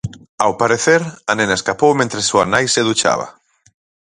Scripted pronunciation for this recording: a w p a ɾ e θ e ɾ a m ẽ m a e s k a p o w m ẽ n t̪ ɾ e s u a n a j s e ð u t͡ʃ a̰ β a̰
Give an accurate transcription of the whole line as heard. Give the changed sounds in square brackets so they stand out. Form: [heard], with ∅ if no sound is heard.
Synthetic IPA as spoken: a w p a ɾ e θ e ɾ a [n] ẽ [n] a e s k a p o w m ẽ n t̪ ɾ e s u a n a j s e ð u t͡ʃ a̰ β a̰